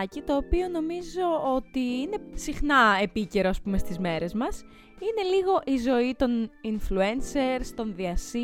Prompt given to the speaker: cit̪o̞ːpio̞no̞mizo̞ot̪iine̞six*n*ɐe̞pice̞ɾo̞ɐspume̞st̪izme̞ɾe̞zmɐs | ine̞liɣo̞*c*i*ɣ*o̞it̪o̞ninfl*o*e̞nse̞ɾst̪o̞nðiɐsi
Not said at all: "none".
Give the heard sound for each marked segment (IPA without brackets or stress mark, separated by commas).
n, ʔ, z, u